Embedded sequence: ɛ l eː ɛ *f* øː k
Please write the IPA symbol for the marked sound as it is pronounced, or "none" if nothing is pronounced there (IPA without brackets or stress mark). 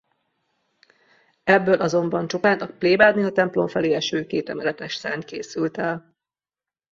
ʃ